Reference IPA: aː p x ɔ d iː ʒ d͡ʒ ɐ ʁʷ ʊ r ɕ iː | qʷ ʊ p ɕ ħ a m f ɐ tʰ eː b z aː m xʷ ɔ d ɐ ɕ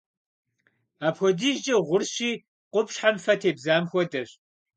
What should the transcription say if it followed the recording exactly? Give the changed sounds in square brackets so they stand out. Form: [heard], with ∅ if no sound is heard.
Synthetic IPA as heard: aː p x ɔ d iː ʒ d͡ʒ ɐ ʁʷ ʊ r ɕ iː | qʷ ʊ p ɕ ħ a m f ɐ tʰ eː b z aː m xʷ ɔ d ɐ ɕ